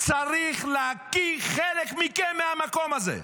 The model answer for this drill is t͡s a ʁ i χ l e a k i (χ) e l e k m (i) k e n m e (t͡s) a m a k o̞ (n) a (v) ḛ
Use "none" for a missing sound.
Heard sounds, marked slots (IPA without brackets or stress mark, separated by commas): χ, i, none, m, z